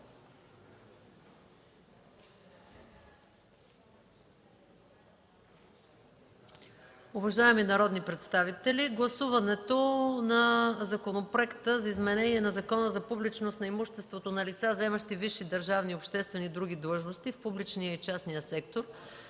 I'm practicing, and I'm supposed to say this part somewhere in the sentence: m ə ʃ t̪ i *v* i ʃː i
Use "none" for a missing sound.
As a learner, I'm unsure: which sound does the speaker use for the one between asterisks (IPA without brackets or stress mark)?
v